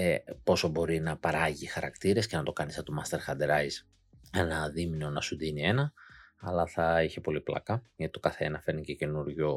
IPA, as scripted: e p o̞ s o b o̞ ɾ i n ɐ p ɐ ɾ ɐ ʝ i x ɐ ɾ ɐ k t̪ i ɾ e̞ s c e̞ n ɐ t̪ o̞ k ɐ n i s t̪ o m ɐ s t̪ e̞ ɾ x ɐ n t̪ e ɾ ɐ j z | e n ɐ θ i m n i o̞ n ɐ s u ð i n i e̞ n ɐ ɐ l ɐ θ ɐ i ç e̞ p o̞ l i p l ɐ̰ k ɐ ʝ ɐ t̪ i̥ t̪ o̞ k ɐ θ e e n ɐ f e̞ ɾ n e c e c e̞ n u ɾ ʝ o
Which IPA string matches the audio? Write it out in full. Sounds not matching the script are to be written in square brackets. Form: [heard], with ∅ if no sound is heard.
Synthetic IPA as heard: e p o̞ s o b o̞ ɾ i n ɐ p ɐ ɾ ɐ ʝ i x ɐ ɾ ɐ k t̪ i ɾ e̞ s c e̞ n ɐ t̪ o̞ k ɐ n i s t̪ o m ɐ s t̪ e̞ ɾ x ɐ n [d̪] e ɾ ɐ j z | e n ɐ [ð] i m n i o̞ n ɐ s u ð i n i e̞ n ɐ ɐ l ɐ θ ɐ i ç e̞ p o̞ l i p l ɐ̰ k ɐ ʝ ɐ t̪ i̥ t̪ o̞ k ɐ θ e e n ɐ f e̞ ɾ n [i] c e c e̞ n u ɾ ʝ o